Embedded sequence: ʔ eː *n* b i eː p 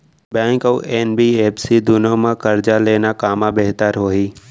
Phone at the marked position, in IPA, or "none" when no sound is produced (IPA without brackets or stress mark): n